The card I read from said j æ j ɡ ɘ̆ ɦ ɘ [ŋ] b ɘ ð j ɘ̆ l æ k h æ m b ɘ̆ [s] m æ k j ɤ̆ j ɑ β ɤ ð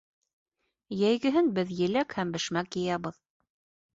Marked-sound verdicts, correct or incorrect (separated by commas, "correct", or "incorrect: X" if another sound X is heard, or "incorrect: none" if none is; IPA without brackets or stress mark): incorrect: n, incorrect: ʃ